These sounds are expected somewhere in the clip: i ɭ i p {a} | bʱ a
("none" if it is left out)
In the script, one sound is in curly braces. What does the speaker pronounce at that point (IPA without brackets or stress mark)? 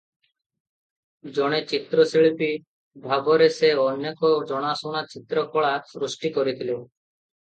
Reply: i